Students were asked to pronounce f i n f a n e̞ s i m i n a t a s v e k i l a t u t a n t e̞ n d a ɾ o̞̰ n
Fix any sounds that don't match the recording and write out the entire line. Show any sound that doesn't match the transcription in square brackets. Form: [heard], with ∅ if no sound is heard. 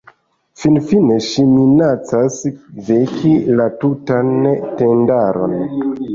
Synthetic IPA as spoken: f i n f [i] n e̞ [ʃ] i m i n a [t͡s] a s v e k i l a t u t a n t e̞ n d a ɾ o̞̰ n